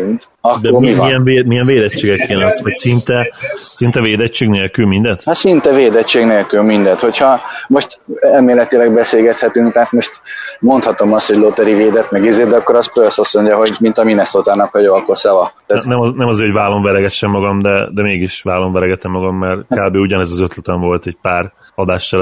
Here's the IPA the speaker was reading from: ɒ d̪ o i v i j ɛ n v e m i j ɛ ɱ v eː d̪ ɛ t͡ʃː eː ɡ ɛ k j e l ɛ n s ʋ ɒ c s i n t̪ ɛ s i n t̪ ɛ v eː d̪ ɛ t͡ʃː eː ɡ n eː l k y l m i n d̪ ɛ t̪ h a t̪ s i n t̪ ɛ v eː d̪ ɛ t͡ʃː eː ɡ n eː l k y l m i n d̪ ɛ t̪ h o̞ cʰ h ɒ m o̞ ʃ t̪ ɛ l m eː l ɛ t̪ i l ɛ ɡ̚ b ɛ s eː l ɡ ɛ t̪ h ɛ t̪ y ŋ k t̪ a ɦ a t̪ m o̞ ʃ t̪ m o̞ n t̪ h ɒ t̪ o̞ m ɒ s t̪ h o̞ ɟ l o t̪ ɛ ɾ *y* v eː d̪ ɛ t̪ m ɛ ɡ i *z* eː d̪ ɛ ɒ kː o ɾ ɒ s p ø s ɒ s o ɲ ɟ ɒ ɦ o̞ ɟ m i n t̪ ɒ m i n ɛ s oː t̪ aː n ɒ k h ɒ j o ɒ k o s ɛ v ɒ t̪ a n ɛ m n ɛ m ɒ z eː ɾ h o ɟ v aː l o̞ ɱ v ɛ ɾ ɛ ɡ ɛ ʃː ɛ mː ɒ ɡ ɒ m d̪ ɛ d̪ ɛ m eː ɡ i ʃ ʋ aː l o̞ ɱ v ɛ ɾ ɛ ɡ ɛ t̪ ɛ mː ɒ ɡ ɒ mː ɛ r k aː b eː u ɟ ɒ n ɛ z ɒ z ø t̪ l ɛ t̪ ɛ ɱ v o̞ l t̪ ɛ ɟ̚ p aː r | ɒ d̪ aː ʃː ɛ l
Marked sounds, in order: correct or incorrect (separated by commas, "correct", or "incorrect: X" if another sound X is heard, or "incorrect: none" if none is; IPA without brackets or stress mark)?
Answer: incorrect: i, correct